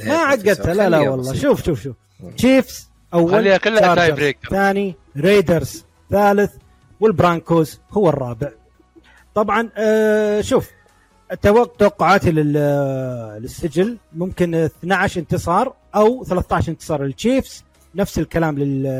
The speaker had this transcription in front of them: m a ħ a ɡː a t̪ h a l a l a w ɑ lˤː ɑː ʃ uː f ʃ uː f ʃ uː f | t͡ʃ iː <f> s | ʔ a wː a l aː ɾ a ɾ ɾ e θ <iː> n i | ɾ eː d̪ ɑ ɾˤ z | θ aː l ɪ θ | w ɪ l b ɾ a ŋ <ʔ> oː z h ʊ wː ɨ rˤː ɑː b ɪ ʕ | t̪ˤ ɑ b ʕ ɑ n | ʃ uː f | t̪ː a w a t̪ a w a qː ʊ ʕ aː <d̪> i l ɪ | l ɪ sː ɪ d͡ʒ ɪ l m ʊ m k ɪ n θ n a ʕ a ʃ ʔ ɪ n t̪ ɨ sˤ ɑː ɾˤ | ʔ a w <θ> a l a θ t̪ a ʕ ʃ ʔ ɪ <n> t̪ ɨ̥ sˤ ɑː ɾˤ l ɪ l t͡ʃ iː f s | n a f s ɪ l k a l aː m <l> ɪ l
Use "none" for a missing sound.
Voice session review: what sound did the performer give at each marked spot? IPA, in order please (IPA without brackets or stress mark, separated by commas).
f, aː, k, t̪, θ, n, l